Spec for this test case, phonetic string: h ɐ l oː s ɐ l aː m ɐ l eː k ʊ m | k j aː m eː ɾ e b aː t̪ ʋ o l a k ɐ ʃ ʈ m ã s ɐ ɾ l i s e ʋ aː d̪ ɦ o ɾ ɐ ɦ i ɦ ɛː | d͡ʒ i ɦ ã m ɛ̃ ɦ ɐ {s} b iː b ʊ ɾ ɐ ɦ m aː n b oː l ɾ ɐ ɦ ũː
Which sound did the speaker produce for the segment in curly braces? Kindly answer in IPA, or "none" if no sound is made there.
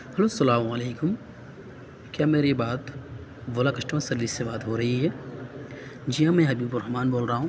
none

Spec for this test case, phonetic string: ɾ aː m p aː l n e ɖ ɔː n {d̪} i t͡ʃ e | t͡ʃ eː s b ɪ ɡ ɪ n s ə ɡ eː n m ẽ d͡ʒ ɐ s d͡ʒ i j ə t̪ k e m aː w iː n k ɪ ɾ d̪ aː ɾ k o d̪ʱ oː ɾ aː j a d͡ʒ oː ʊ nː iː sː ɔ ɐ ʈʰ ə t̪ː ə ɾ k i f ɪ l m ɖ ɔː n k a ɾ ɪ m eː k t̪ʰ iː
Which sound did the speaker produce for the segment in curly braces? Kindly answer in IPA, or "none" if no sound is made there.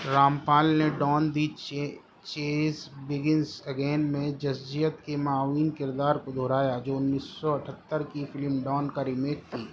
d̪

